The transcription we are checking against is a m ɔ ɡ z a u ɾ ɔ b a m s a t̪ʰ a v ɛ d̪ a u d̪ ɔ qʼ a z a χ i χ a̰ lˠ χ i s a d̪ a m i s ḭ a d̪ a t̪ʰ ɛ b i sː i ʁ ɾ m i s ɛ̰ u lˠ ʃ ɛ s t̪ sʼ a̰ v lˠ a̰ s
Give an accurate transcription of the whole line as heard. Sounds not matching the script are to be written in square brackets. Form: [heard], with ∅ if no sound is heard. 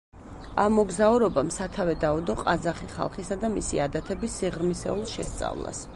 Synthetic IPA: a m ɔ ɡ z a u ɾ ɔ b a m s a t̪ʰ a v ɛ d̪ a u d̪ ɔ qʼ a z a χ i χ a̰ lˠ χ i s a d̪ a m i s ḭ a d̪ a t̪ʰ ɛ b i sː i ʁ ɾ m i s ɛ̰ u lˠ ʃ ɛ s t̪ sʼ a̰ v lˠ a̰ s